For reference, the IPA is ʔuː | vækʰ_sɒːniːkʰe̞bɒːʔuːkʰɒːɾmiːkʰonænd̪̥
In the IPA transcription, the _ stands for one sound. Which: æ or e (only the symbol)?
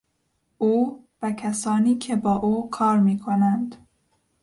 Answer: æ